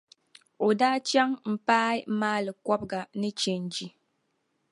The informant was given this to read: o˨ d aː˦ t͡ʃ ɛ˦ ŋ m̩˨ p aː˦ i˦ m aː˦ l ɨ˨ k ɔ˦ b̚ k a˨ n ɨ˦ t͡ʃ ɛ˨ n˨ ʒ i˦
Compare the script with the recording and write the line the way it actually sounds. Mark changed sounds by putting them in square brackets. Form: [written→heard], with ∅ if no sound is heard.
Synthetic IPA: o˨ d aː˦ t͡ʃ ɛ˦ ŋ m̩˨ p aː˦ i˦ m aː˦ l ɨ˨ k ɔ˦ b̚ [k→ɡ] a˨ n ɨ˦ t͡ʃ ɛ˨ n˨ [ʒ→d͡ʒ] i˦